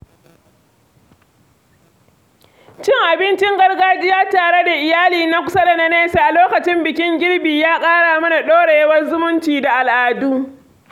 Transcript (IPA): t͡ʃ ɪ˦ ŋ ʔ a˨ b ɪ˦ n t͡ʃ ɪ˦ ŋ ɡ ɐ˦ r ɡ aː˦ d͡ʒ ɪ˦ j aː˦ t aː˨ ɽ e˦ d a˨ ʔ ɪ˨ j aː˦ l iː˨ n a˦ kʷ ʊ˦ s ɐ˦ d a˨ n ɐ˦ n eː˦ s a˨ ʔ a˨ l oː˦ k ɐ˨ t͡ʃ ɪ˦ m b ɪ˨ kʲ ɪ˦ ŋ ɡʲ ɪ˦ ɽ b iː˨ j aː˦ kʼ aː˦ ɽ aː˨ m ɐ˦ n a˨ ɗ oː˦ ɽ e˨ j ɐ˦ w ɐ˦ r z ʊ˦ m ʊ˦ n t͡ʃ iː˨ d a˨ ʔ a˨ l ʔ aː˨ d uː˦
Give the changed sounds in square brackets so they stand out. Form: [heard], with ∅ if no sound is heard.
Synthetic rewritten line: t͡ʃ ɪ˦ ŋ ʔ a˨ b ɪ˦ n t͡ʃ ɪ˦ ŋ ɡ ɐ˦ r ɡ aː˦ d͡ʒ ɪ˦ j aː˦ t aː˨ ɽ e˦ d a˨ ʔ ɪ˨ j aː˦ l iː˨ n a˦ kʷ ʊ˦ s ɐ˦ d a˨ n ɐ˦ n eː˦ s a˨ ʔ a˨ l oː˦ k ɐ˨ t͡ʃ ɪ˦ m b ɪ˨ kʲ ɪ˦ ŋ ɡʲ ɪ˦ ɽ b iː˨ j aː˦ kʼ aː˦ ɽ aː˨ m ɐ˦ n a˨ ɗ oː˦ ɽ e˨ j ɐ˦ w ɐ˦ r z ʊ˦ m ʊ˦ n t͡ʃ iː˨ d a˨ ʔ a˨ l ʔ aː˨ d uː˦

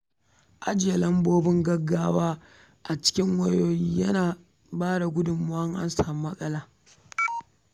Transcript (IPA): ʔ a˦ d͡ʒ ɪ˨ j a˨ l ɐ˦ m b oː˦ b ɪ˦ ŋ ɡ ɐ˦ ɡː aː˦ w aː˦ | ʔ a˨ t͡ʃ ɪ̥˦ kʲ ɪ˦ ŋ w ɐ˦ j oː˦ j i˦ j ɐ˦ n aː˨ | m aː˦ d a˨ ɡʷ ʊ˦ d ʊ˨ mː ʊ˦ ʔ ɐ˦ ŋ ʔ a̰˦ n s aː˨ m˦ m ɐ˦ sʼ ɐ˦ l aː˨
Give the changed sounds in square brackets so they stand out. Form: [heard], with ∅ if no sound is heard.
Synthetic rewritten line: ʔ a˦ d͡ʒ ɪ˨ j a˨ l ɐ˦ m b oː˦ b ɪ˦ ŋ ɡ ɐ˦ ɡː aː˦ w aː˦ | ʔ a˨ t͡ʃ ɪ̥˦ kʲ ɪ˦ ŋ w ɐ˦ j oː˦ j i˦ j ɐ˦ n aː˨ | [b] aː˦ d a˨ ɡʷ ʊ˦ d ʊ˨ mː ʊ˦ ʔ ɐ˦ ŋ ʔ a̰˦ n s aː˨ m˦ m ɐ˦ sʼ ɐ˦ l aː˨

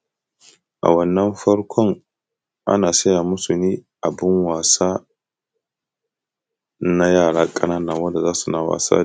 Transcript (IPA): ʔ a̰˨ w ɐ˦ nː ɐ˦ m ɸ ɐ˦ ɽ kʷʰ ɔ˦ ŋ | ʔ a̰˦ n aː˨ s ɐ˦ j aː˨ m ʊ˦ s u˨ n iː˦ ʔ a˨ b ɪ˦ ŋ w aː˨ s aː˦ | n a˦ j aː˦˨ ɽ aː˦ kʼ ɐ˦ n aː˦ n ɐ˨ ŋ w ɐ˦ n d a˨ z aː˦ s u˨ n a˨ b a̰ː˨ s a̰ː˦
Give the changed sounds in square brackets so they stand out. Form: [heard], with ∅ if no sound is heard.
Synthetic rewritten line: ʔ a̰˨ w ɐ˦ nː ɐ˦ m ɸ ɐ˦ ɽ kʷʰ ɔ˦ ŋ | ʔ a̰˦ n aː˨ s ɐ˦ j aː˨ m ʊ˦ s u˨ n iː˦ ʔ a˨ b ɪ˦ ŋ w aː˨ s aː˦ | n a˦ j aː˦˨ ɽ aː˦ kʼ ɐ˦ n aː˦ n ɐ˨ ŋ w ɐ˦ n d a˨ z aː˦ s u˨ n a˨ [w] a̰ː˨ s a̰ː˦

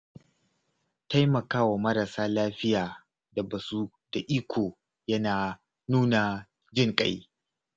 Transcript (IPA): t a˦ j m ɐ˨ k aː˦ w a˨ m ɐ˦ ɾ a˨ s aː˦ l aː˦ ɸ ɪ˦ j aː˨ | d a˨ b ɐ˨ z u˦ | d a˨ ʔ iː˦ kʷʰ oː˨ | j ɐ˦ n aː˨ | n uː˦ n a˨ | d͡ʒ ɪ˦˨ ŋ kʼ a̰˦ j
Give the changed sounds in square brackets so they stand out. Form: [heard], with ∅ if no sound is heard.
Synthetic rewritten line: t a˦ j m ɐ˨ k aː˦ w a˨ m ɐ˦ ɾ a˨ s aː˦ l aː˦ ɸ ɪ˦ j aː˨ | d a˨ b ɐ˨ [s] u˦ | d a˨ ʔ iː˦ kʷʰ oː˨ | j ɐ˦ n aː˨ | n uː˦ n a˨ | d͡ʒ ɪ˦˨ ŋ kʼ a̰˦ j

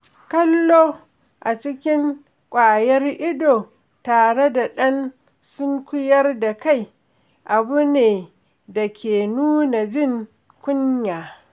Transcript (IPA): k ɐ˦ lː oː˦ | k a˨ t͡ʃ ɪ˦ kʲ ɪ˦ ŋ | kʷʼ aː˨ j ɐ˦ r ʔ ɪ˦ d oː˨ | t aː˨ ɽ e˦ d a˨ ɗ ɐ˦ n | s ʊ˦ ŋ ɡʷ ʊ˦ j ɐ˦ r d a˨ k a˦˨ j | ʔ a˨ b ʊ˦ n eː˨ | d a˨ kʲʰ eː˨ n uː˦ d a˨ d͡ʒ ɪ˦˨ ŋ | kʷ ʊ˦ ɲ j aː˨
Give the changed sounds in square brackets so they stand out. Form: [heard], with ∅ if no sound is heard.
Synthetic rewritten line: k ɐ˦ lː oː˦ | [ʔ] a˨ t͡ʃ ɪ˦ kʲ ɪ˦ ŋ | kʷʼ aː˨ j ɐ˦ r ʔ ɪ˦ d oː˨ | t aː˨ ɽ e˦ d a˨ ɗ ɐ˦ n | s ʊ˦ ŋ [kʷ] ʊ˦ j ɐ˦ r d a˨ k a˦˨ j | ʔ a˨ b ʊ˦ n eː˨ | d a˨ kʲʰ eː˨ n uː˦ [n] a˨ d͡ʒ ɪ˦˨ ŋ | kʷ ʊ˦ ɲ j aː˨

